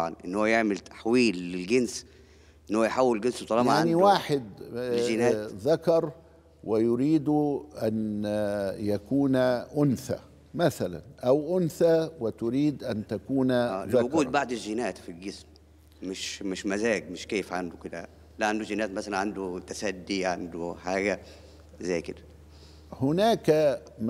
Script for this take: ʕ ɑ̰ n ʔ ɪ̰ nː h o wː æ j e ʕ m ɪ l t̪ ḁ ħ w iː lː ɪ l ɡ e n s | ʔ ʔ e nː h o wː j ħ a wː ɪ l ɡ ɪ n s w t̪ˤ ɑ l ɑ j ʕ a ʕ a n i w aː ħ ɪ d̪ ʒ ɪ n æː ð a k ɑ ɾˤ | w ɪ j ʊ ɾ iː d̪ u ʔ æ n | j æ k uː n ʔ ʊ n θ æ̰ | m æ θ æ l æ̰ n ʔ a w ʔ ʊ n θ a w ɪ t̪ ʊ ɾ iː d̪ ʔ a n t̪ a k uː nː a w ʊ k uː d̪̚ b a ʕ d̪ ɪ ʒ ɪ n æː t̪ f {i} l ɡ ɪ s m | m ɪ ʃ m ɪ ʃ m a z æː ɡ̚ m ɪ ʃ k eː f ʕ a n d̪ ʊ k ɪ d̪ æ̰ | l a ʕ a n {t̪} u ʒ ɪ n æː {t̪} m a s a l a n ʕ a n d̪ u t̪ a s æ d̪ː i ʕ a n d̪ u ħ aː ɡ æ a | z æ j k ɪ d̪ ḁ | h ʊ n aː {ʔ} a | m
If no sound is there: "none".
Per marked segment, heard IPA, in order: i, d̪, t̪, k

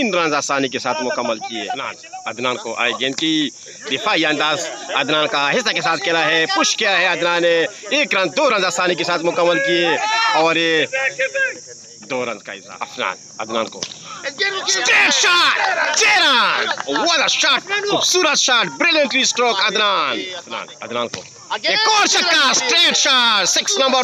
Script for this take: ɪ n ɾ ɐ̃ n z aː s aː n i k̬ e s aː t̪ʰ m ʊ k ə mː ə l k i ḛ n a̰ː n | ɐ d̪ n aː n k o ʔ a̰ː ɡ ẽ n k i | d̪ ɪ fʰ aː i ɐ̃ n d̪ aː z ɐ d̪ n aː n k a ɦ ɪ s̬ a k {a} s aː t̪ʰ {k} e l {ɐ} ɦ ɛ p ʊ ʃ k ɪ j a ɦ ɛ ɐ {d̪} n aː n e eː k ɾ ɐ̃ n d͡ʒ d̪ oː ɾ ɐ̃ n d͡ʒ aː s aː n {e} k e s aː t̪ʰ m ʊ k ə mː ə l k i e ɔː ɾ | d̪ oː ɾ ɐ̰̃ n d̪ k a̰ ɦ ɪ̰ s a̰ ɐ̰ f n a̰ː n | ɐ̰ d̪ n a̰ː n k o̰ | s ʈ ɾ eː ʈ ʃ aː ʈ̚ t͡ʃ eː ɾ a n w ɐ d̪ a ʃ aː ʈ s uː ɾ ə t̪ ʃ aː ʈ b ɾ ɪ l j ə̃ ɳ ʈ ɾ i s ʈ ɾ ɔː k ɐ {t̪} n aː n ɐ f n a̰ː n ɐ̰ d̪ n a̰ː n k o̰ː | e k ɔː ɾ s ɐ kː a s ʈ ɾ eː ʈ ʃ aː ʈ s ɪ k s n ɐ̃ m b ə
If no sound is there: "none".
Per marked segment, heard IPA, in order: e, k, a, d̪, i, d̪

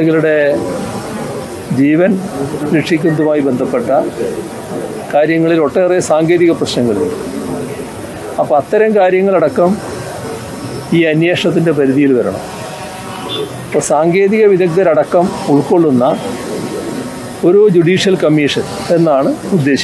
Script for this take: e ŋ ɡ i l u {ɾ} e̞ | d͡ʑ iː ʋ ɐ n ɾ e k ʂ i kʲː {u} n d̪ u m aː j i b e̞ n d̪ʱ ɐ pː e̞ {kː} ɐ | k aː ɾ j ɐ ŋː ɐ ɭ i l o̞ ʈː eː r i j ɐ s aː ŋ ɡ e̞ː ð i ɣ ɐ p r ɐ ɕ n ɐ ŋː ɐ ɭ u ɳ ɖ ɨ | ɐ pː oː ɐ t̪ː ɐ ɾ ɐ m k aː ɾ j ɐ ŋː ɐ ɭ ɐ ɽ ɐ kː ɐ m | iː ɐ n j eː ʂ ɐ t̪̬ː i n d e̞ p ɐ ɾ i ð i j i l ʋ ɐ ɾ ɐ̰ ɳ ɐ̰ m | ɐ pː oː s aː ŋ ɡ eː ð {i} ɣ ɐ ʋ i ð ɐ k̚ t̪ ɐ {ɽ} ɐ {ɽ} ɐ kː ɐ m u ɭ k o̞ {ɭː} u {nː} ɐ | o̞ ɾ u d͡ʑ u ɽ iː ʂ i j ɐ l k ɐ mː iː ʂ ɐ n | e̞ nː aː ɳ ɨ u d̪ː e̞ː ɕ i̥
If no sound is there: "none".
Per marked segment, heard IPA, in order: ɽ, u, ʈː, i, ɾ, ɽ, ɭː, nː

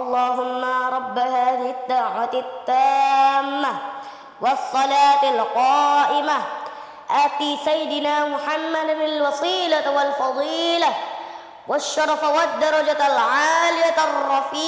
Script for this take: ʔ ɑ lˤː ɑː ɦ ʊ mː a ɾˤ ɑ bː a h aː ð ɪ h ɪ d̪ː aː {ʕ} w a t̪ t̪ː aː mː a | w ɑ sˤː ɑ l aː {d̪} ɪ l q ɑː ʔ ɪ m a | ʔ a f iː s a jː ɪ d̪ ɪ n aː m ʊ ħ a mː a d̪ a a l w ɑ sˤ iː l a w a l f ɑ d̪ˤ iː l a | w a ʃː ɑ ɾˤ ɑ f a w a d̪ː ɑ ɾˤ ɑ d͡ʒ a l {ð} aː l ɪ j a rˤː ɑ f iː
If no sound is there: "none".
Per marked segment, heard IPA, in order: ʕ, t̪, ʕ

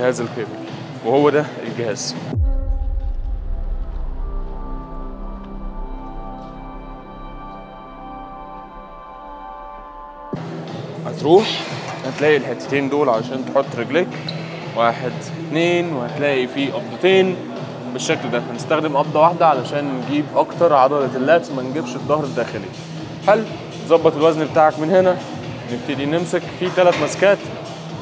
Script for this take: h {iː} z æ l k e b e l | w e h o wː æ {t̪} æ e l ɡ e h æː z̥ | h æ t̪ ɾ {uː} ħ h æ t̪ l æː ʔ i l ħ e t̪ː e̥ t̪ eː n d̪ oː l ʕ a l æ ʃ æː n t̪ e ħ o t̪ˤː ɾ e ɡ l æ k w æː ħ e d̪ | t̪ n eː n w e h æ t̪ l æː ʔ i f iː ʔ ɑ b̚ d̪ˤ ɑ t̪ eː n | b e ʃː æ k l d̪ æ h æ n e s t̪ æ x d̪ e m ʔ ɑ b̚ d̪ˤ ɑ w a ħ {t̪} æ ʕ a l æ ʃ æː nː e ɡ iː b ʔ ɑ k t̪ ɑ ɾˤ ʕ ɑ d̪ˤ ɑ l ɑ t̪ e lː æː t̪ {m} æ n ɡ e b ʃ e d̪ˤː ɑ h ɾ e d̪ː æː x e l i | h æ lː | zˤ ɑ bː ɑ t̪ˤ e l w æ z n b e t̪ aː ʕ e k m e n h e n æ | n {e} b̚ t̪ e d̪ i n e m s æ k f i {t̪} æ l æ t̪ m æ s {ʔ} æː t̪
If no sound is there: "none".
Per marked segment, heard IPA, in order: æː, d̪, uː, d̪, m, e, t̪, k

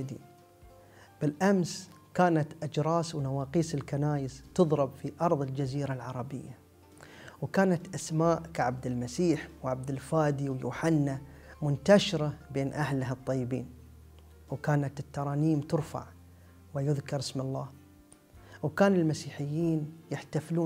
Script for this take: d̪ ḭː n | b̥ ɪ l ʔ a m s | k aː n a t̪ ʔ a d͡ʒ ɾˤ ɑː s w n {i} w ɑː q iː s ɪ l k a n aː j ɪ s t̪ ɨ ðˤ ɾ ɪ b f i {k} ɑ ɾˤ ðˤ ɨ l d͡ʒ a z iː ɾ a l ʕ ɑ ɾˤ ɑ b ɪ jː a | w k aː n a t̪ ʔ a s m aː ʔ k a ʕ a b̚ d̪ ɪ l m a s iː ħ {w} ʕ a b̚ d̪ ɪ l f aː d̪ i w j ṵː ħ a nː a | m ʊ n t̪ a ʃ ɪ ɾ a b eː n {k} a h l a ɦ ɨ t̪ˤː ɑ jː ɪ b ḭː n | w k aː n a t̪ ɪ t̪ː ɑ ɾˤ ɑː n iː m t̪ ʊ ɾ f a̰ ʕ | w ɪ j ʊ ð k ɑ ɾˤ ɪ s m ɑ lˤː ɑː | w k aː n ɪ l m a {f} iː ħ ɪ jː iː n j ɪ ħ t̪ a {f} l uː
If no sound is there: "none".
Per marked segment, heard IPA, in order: a, ʔ, w, ʔ, s, f

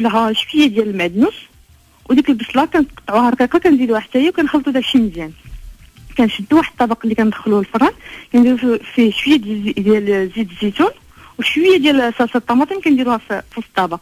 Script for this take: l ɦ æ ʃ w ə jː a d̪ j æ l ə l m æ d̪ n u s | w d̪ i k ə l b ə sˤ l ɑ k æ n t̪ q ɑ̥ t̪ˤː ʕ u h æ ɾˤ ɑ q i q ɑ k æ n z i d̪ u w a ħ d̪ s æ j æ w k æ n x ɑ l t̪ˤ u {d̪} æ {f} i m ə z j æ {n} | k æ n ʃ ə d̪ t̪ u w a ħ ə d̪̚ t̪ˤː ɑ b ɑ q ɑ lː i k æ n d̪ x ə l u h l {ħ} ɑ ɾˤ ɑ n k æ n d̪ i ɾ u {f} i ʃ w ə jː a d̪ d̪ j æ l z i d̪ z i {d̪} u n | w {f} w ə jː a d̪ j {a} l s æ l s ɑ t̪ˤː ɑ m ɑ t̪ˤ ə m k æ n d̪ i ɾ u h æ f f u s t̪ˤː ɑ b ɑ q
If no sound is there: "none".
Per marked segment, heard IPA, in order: d̪, ʃ, n, f, f, t̪, ʃ, æ

